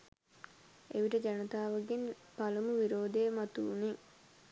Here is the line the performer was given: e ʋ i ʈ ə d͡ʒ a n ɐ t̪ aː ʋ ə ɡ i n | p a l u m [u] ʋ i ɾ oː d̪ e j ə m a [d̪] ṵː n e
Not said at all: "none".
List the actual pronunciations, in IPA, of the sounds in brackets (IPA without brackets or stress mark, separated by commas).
u, t̪